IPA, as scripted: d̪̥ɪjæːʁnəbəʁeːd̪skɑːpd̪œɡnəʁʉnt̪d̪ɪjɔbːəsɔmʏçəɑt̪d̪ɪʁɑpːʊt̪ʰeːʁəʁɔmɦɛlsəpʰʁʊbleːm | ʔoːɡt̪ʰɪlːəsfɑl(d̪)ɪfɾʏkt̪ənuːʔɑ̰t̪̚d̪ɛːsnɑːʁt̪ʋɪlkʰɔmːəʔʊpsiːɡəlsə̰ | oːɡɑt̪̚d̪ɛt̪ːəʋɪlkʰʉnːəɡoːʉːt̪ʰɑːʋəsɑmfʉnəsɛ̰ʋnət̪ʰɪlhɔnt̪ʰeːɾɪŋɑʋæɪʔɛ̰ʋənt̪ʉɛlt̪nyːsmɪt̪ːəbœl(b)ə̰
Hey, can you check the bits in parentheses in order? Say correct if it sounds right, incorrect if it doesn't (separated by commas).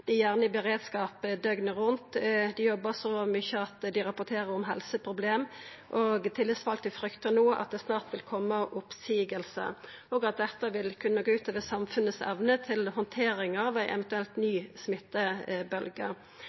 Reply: incorrect, incorrect